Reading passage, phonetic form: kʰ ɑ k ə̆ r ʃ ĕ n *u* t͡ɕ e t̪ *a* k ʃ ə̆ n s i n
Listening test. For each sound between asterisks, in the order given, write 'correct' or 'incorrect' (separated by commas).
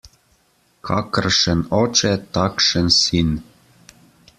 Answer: incorrect, incorrect